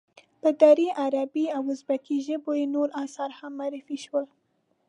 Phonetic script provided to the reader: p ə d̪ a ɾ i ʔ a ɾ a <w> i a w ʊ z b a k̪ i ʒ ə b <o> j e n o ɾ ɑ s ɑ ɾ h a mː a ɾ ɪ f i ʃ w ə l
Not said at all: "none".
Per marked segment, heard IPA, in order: b, o

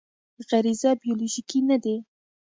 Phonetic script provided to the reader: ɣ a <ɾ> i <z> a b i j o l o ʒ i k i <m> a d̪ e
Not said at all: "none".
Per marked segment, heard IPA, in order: ɾ, z, n

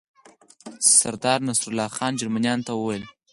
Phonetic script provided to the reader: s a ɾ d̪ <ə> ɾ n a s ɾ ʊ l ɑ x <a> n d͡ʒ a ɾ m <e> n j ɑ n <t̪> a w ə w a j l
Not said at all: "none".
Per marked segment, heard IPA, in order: ɑ, ɑ, a, t̪

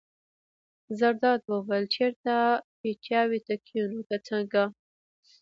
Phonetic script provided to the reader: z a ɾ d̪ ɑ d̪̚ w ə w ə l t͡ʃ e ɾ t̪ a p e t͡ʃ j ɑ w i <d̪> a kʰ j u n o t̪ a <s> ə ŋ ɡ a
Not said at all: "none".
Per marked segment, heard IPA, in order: t̪, t͡s

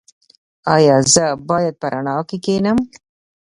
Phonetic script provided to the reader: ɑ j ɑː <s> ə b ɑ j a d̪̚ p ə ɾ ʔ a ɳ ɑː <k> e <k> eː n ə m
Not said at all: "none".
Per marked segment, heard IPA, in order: z, k, k

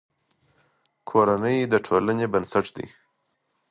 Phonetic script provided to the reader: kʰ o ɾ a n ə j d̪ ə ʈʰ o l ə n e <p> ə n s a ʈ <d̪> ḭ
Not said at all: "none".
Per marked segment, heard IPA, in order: b, d̪

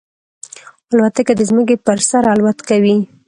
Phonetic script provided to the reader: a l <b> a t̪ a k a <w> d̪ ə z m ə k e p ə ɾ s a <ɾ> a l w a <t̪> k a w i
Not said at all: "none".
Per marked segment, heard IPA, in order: w, none, ɾ, t̪

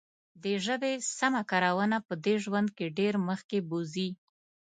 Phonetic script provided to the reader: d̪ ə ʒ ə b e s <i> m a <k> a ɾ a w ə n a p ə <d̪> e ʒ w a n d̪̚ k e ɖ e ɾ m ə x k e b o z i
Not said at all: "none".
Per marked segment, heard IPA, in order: a, k, d̪

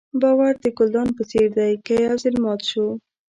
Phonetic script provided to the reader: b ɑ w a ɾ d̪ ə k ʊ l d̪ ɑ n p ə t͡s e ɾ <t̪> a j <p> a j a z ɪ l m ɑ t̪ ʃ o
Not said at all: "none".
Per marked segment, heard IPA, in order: d̪, k

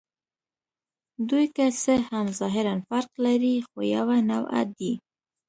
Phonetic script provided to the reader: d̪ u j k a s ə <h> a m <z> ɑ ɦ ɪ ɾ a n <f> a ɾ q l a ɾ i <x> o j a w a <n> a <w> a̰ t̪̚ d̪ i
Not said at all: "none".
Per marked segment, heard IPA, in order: h, z, f, x, n, w

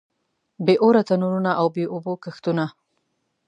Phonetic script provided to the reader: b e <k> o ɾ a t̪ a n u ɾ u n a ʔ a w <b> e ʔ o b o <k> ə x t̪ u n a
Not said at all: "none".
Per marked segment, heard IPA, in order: ʔ, b, k

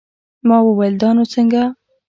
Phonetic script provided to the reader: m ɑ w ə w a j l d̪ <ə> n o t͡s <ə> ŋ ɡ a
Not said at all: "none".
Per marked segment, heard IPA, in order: ɑ, ə

